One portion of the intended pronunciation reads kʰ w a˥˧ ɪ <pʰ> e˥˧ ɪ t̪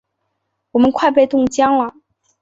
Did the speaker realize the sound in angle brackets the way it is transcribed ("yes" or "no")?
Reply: no